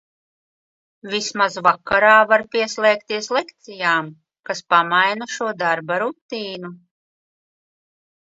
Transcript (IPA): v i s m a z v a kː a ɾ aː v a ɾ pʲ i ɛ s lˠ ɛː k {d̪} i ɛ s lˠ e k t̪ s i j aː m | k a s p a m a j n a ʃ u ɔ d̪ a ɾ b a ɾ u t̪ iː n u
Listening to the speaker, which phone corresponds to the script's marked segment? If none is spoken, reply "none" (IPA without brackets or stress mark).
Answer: t̪